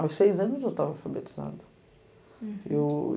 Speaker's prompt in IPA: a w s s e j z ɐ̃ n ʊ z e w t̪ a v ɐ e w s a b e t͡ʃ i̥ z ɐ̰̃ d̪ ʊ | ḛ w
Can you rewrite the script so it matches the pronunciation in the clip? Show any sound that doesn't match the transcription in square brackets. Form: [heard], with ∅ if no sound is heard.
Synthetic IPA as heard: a w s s e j z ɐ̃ n ʊ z e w t̪ a v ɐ [a] w [f] a b e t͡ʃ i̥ z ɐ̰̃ d̪ ʊ | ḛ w